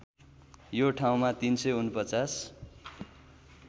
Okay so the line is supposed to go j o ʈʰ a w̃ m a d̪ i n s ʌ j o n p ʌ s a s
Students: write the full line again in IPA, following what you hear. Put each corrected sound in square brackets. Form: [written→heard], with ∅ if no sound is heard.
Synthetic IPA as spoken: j o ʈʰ a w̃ m a [d̪→t̪] i n s ʌ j [o→u] n p ʌ [s→t͡s] a s